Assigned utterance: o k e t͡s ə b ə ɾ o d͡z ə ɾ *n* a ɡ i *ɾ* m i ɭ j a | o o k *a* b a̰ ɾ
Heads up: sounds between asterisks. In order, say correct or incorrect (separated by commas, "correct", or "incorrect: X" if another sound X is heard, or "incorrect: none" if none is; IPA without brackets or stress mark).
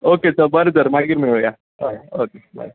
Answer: incorrect: m, correct, incorrect: e